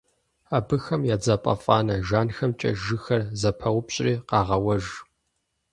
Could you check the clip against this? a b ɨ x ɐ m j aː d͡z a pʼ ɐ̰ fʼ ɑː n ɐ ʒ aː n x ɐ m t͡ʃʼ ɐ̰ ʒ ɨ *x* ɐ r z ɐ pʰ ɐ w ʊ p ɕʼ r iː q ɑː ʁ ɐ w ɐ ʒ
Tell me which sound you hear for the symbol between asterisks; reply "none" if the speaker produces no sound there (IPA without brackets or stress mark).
x